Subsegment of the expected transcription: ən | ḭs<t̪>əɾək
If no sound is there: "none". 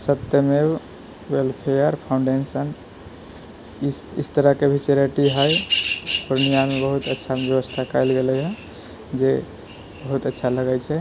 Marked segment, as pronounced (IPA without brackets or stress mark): t̪